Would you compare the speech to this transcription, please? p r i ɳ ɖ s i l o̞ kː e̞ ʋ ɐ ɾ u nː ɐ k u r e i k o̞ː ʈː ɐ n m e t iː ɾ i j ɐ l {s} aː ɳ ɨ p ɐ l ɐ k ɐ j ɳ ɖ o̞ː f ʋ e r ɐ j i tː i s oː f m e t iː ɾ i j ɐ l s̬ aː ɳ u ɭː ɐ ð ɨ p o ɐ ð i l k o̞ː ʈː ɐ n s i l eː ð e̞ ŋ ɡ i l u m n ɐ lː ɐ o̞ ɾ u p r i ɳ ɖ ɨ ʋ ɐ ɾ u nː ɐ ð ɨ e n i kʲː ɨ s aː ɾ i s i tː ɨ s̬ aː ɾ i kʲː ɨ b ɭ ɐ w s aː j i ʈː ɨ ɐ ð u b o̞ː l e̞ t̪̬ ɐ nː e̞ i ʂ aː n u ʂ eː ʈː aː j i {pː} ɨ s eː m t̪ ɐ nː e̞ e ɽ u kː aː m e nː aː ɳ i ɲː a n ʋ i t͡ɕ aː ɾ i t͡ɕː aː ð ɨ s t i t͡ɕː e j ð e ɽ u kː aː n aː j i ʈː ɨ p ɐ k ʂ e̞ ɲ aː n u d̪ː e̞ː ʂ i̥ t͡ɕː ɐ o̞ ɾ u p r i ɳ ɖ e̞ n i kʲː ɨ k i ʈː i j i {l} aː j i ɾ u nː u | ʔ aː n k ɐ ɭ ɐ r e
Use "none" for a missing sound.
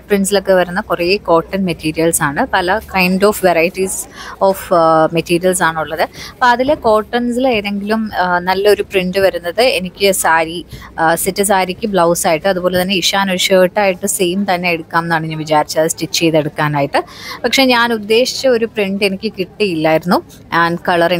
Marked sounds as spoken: s, ʈː, lː

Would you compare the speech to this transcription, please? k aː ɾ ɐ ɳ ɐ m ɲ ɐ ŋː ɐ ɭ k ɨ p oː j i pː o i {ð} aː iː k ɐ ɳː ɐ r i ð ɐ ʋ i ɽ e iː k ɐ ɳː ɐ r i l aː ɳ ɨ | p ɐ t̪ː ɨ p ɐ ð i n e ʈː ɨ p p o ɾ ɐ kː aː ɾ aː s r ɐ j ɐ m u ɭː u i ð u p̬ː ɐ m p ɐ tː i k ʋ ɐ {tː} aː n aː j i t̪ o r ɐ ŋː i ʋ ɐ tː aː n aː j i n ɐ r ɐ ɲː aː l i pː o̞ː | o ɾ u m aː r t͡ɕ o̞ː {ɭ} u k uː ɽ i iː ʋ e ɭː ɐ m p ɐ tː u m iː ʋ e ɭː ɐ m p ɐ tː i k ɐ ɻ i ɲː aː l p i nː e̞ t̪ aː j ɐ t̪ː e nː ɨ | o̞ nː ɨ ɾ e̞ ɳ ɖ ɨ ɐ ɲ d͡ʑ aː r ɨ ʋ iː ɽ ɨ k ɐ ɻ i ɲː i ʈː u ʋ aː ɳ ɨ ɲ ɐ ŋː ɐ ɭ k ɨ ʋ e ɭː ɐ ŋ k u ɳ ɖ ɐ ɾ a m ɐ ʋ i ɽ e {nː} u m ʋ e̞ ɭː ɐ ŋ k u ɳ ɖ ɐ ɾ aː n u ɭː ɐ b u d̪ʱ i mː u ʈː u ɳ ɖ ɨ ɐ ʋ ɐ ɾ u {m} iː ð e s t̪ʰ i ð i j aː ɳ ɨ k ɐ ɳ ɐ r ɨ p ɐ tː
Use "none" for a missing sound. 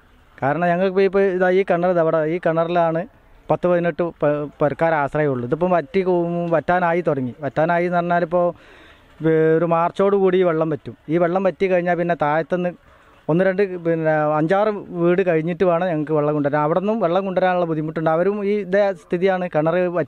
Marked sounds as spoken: ð, tː, ɽ, nː, m

